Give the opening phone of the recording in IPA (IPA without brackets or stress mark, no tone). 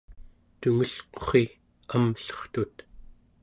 t̪